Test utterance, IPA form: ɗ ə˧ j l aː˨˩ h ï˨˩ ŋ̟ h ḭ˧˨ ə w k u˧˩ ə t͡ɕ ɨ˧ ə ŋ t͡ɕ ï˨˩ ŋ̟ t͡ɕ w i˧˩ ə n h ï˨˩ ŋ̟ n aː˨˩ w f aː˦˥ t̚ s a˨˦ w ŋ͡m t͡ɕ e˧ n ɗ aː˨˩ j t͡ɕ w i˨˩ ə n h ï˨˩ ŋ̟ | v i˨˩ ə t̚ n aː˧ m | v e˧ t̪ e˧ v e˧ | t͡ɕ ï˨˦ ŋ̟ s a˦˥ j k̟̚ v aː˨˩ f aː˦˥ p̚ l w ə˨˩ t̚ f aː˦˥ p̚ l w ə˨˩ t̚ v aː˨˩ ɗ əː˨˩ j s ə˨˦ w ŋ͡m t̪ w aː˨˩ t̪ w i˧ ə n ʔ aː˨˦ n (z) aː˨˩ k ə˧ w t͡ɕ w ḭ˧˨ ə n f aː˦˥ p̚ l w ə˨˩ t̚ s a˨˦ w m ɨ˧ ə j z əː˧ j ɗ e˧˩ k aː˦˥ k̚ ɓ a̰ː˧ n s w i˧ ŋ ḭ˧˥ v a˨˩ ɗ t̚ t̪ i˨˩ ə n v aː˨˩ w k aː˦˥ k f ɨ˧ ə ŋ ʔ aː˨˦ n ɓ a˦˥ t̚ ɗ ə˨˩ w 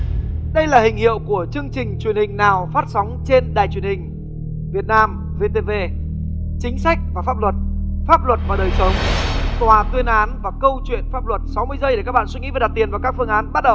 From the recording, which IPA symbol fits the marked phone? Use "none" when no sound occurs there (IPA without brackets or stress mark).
v